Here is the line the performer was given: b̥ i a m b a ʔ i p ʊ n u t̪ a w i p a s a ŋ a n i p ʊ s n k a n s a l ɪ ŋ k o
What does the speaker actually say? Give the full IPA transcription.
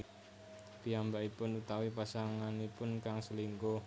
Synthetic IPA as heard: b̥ i a m b a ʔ i p ʊ n u t̪ a w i p a s a ŋ a n i p ʊ n k a ŋ s ə l i ŋ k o